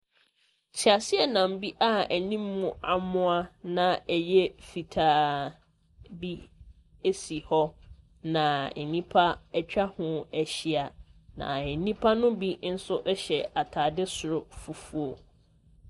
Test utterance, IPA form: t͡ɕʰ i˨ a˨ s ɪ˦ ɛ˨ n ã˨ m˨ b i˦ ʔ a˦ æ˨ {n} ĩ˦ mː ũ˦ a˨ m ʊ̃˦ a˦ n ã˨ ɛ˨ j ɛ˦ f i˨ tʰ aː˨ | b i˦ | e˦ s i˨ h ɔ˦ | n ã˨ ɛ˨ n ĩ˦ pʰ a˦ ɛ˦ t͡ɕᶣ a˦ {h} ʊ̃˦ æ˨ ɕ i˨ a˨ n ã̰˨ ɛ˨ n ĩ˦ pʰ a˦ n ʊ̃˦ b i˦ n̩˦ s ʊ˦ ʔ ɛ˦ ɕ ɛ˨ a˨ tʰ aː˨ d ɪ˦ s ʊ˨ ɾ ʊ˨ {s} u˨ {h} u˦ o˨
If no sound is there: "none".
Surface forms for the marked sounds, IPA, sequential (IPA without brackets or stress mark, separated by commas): n, h, f, f